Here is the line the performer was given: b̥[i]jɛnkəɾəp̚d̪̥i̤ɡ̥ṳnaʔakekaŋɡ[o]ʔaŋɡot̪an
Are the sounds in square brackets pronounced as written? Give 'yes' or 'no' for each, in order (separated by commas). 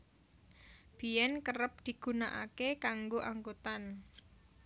yes, yes